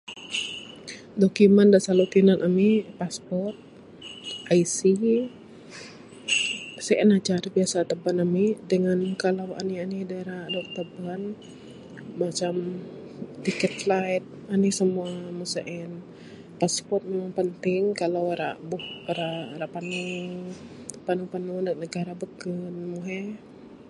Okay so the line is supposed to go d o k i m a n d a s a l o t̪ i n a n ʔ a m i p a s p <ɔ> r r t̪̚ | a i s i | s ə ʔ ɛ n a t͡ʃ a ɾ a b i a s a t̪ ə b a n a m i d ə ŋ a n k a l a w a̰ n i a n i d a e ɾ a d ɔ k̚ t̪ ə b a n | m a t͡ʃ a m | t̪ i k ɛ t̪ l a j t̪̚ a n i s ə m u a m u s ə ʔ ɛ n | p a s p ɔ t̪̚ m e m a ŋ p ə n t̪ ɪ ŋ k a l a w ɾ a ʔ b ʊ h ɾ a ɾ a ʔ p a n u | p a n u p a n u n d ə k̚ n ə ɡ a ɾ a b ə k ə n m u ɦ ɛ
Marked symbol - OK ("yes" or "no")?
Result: yes